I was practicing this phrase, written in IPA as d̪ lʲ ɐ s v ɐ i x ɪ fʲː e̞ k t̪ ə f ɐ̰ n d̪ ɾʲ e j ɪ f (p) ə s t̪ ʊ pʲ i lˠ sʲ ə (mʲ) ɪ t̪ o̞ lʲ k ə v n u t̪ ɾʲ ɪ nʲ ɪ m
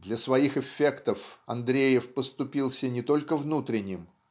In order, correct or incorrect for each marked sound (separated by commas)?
correct, incorrect